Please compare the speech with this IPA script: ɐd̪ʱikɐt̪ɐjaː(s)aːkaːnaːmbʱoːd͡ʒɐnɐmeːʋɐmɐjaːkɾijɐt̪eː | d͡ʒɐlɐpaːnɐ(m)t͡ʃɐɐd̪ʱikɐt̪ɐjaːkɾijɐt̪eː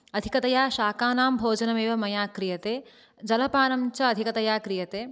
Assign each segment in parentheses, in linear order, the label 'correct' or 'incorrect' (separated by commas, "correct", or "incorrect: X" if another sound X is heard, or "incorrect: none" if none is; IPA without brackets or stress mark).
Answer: incorrect: ʃ, correct